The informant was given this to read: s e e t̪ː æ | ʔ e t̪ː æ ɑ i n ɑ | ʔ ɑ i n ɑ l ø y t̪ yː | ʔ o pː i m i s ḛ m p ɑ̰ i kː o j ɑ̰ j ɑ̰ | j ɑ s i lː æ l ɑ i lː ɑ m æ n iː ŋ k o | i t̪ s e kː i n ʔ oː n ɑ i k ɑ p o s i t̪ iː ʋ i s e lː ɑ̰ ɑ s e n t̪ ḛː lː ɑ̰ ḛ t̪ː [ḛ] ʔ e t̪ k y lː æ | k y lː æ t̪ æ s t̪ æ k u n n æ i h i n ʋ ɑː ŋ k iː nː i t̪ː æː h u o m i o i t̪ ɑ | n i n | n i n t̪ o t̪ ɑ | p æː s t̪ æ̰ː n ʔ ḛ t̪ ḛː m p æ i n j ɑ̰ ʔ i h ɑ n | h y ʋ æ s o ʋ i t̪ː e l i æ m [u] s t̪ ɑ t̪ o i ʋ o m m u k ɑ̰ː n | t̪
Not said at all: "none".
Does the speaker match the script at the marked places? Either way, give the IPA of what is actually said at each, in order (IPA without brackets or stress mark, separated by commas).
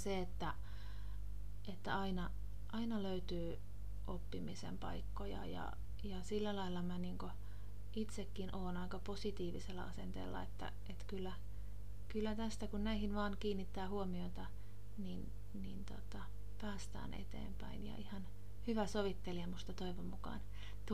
æ̰, u